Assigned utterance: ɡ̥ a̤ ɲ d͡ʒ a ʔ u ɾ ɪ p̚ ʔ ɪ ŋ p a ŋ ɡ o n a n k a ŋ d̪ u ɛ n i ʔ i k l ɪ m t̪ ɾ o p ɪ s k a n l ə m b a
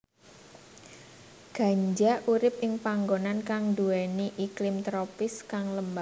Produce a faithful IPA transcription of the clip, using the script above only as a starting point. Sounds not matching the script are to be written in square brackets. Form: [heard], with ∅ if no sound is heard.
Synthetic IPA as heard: ɡ̥ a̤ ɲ d͡ʒ a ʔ u ɾ ɪ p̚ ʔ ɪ ŋ p a ŋ ɡ o n a n k a ŋ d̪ u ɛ n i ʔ i k l ɪ m t̪ ɾ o p ɪ s k a [ŋ] l ə m b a

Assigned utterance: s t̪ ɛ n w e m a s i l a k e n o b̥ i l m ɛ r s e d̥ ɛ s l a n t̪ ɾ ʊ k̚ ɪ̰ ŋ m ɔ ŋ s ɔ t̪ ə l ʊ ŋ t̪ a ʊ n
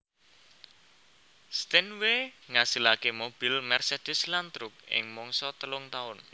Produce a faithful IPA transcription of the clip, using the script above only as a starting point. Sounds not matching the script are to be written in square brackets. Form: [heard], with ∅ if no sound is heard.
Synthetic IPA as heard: s t̪ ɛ n w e [ŋ] a s i l a k e [m] o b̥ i l m ɛ r s e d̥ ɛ s l a n t̪ ɾ ʊ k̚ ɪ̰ ŋ m ɔ ŋ s ɔ t̪ ə l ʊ ŋ t̪ a ʊ n

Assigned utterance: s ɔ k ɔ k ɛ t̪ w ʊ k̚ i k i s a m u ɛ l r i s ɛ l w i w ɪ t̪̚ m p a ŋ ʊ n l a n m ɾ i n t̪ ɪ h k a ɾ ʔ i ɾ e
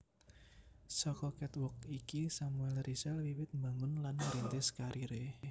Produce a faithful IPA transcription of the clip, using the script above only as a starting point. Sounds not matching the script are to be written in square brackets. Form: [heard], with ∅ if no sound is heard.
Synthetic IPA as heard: s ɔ k ɔ k ɛ t̪ w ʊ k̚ i k i s a m u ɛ l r i s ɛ l w i w ɪ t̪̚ m [b] a ŋ ʊ n l a n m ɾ i n t̪ ɪ [s] k a ɾ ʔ i ɾ e

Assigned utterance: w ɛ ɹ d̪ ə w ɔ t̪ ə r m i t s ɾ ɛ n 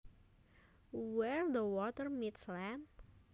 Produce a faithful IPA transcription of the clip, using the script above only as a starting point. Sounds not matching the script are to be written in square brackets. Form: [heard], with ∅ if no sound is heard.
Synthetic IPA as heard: w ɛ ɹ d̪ ə w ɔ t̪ ə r m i t s [l] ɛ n

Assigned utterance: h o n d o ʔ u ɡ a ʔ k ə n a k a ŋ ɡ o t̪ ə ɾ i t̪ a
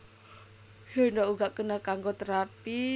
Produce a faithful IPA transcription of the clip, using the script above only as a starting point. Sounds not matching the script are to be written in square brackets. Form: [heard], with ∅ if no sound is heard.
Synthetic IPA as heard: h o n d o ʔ u ɡ a ʔ k ə n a k a ŋ ɡ o t̪ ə ɾ [a] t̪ [i]

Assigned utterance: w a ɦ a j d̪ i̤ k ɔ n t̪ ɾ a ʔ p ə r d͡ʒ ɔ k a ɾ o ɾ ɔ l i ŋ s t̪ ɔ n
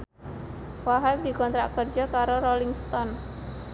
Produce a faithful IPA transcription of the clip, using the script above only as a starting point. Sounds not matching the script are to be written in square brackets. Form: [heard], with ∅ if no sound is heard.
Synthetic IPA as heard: w a ɦ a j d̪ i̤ k ɔ n t̪ ɾ a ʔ [k] ə r d͡ʒ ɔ k a ɾ o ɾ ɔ l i ŋ s t̪ ɔ n

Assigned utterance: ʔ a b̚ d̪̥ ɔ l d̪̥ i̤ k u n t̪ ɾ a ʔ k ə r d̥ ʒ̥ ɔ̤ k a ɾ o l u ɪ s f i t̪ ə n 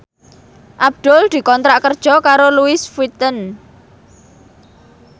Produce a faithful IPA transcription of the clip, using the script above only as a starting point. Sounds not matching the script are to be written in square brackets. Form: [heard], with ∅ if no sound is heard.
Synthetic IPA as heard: ʔ a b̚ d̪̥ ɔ l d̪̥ i̤ k [ɔ] n t̪ ɾ a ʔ k ə r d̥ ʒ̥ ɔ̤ k a ɾ o l u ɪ s f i t̪ ə n

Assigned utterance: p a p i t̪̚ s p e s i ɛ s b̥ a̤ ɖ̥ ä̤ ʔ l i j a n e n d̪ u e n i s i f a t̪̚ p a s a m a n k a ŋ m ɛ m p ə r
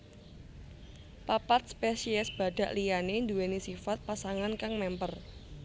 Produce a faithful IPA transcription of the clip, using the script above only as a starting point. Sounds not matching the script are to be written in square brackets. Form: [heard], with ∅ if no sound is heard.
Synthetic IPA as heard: p a p [a] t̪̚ s p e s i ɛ s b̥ a̤ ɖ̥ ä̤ ʔ l i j a n e n d̪ u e n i s i f a t̪̚ p a s a [ŋ] a n k a ŋ m ɛ m p ə r

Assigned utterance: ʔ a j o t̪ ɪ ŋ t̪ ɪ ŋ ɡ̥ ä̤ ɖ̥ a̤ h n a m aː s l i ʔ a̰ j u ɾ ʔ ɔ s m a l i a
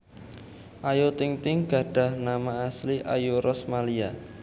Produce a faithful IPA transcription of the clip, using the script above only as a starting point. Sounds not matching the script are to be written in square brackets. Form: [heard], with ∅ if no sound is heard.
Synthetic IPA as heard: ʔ a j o t̪ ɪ ŋ t̪ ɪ ŋ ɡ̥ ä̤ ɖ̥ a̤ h n a m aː s l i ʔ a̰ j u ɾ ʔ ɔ s m a l i a

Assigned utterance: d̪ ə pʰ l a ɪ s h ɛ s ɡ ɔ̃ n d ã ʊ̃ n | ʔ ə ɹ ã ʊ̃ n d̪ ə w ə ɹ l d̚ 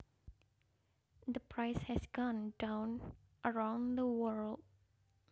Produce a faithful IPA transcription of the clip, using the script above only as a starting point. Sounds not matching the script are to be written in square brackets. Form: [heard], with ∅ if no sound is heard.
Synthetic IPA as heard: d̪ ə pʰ [ɹ] a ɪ s h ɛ s ɡ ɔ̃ n d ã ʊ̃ n | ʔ ə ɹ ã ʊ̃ n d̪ ə w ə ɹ l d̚

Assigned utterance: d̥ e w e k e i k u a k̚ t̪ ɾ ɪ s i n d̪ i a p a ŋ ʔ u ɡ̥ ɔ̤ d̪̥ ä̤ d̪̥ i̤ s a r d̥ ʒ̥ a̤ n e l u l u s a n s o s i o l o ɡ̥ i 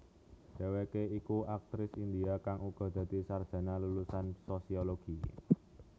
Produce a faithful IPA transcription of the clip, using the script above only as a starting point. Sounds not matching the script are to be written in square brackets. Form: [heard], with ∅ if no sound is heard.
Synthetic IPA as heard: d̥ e w e k e i k u a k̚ t̪ ɾ ɪ s i n d̪ i a [k] a ŋ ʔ u ɡ̥ ɔ̤ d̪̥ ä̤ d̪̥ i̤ s a r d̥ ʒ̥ a̤ n [a] l u l u s a n s o s i o l o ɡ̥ i

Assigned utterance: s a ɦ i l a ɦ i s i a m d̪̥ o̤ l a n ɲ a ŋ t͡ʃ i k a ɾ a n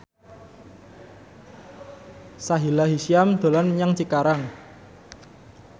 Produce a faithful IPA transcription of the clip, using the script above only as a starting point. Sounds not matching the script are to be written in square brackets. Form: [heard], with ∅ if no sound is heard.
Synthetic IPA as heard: s a ɦ i l a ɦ i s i a m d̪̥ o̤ l a n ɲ a ŋ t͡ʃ i k a ɾ a [ŋ]

